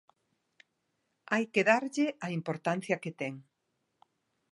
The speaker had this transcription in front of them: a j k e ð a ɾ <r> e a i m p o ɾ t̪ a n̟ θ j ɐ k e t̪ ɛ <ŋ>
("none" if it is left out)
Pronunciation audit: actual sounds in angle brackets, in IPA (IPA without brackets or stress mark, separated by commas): ʎ, ŋ